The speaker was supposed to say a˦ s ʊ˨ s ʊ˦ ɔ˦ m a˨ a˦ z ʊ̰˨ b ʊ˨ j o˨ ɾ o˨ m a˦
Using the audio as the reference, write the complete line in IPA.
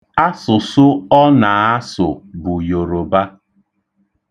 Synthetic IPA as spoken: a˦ s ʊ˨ s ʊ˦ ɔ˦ n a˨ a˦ s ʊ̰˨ b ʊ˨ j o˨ ɾ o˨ b a˦